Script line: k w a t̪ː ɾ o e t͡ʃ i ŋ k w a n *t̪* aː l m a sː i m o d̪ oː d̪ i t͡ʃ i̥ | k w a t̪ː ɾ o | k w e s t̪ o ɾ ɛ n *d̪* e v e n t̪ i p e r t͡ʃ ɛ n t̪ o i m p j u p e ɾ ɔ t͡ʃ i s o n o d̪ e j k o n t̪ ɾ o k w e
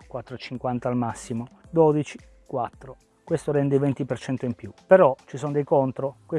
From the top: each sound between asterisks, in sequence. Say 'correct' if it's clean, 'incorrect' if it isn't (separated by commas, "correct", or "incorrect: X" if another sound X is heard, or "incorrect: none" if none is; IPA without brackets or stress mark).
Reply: correct, correct